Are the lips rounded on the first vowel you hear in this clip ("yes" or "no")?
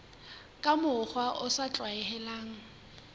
no